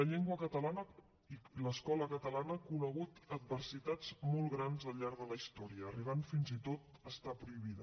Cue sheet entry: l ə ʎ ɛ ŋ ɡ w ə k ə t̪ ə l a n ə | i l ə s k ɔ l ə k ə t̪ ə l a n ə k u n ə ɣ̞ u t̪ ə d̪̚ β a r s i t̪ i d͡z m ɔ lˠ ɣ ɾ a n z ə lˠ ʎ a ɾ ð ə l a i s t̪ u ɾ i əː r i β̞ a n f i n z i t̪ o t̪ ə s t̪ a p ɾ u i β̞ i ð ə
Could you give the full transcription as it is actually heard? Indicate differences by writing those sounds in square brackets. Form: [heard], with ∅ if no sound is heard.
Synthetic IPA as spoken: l ə ʎ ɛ ŋ ɡ w ə k ə t̪ ə l a n ə | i l ə s k ɔ l ə k ə t̪ ə l a n ə k u n ə ɣ̞ u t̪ ə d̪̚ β [ə] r s i t̪ [a] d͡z m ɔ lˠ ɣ ɾ a n z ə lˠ ʎ a ɾ ð ə l [ə] i s t̪ [ɔ] ɾ i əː r i β̞ a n f i n z i t̪ o t̪ ə s t̪ a p ɾ u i β̞ i ð ə